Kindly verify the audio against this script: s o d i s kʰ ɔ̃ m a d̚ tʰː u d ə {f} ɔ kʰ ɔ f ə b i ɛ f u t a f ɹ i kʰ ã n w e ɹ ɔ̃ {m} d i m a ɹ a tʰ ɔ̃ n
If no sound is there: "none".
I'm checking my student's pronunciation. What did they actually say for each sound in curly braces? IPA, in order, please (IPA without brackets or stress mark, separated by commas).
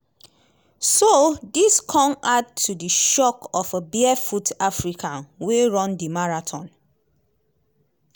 ʃ, n